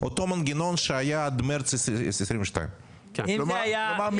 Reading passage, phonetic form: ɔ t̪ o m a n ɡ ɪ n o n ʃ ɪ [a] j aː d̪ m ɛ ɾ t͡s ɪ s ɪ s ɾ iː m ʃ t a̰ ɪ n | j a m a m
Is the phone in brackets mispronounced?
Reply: no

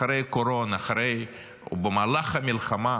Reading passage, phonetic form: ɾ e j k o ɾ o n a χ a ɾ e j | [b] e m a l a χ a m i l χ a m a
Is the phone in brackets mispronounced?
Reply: no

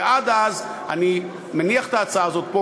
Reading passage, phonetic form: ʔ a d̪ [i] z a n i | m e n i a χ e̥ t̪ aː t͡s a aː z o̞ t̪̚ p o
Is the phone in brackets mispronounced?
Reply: yes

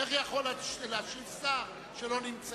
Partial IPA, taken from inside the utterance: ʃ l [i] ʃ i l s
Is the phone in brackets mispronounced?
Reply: yes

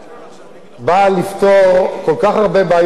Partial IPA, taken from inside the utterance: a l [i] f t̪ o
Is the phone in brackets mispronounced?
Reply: no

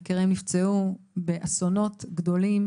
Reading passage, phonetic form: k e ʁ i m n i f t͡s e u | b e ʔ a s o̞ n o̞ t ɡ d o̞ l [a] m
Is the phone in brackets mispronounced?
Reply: yes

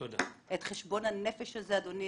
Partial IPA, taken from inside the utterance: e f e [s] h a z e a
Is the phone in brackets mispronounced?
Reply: yes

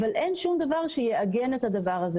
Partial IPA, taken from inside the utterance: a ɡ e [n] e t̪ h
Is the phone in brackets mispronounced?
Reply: no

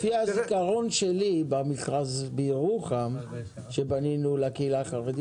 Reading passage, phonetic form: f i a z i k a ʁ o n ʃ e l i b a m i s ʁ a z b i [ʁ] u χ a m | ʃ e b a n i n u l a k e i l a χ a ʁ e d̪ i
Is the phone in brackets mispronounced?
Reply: no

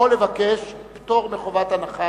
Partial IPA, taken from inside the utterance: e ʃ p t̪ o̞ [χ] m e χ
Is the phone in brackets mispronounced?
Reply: yes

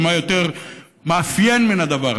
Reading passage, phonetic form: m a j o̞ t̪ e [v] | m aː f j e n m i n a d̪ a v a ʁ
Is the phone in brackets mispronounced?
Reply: yes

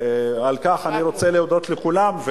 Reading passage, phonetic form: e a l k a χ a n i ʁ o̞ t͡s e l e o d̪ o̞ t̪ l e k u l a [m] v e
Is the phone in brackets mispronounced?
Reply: no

